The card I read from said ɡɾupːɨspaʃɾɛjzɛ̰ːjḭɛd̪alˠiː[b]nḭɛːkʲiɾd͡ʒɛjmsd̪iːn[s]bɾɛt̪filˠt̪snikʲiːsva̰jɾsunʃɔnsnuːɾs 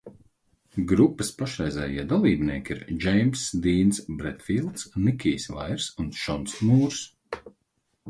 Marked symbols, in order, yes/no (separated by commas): yes, yes